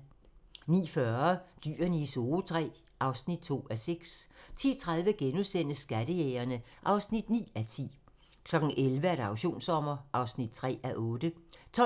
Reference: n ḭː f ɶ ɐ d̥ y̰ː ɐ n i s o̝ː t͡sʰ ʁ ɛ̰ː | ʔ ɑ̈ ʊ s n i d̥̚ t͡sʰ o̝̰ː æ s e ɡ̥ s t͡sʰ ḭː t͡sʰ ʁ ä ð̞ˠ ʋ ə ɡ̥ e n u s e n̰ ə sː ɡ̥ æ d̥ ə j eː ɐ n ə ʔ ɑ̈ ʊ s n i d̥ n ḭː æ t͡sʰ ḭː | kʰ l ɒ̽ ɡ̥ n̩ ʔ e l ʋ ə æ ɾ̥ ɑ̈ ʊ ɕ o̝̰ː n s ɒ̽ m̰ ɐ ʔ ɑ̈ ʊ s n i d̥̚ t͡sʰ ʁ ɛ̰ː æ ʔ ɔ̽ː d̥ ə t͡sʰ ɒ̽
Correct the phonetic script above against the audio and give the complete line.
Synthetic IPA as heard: n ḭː f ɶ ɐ d̥ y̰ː ɐ n i s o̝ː t͡sʰ ʁ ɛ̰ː | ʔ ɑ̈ ʊ s n i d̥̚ t͡sʰ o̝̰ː æ s e ɡ̥ s t͡sʰ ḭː t͡sʰ ʁ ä ð̞ˠ ʋ ə ɡ̥ e n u s e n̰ ə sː ɡ̥ æ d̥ ə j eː ɐ n ə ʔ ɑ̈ ʊ s n i d̥ n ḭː æ t͡sʰ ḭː | kʰ l ɒ̽ ɡ̥ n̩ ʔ e l ʋ ə æ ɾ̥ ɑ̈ ʊ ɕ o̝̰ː n s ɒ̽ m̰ ɐ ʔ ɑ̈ ʊ s n i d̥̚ t͡sʰ ʁ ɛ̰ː æ ʔ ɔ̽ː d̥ ə t͡sʰ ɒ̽